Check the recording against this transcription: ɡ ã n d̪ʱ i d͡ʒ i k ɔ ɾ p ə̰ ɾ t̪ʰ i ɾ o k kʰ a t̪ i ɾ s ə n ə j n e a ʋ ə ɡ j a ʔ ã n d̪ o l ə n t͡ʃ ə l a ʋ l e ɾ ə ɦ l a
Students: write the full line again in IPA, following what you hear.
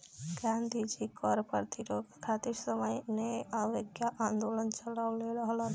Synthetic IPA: ɡ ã n d̪ʱ i d͡ʒ i k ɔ ɾ p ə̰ ɾ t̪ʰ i ɾ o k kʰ a t̪ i ɾ s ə m ə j n e a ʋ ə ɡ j a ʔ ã n d̪ o l ə n t͡ʃ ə l a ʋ l e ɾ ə ɦ l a

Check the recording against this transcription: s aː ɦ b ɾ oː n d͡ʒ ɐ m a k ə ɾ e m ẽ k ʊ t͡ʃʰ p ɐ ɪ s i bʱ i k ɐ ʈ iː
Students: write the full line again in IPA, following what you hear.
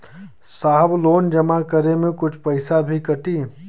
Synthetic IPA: s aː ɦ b l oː n d͡ʒ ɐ m a k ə ɾ e m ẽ k ʊ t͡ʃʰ p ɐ ɪ s a bʱ i k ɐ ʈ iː

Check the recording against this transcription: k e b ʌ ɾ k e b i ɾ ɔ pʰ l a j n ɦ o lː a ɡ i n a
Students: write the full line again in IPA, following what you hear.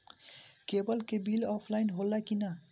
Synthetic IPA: k e b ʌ l k e b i l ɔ pʰ l a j n ɦ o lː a k i n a

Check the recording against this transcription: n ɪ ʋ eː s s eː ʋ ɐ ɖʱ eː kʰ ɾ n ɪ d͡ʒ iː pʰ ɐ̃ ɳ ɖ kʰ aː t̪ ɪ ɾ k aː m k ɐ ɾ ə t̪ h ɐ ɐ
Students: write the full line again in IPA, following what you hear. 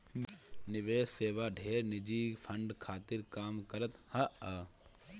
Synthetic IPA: n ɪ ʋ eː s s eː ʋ a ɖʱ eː ɾ n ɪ d͡ʒ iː pʰ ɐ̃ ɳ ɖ kʰ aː t̪ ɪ ɾ k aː m k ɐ ɾ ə t̪ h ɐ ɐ

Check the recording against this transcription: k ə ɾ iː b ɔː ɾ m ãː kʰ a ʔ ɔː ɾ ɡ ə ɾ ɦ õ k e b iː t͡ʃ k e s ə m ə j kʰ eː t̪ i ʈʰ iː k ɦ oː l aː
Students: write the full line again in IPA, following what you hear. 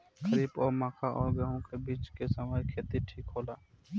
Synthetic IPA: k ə ɾ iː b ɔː ɾ m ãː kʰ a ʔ ɔː ɾ ɡ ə ɦ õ k e b iː t͡ʃ k e s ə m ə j kʰ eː t̪ i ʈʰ iː k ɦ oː l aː

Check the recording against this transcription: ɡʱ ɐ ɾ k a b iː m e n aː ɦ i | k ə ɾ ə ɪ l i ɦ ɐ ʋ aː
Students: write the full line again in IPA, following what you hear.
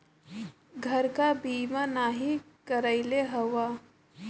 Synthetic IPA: ɡʱ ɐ ɾ k a b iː m a n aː ɦ i | k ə ɾ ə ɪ l e ɦ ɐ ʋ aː

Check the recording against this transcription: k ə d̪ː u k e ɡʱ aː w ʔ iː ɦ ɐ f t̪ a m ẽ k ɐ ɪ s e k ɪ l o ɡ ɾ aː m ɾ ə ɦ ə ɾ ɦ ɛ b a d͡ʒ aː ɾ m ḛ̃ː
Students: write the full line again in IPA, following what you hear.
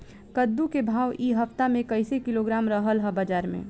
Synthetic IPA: k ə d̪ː u k e bʱ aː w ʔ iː ɦ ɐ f t̪ a m ẽ k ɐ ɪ s e k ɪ l o ɡ ɾ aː m ɾ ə ɦ ə l ɦ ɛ b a d͡ʒ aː ɾ m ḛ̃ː

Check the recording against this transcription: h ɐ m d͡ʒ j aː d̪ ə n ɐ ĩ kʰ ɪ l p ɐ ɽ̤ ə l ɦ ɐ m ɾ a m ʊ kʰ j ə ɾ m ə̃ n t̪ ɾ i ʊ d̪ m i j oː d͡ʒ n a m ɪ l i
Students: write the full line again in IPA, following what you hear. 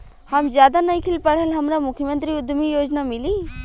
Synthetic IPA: h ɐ m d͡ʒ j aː d̪ a n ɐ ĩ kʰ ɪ l p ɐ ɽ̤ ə l ɦ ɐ m ɾ a m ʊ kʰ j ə m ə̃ n t̪ ɾ i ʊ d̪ m i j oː d͡ʒ n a m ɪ l i

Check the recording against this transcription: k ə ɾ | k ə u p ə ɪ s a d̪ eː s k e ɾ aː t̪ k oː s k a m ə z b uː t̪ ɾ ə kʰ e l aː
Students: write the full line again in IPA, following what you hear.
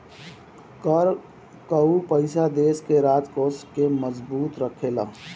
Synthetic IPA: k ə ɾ | k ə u p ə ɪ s a d̪ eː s k e ɾ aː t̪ k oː s k e m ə z b uː t̪ ɾ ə kʰ e l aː

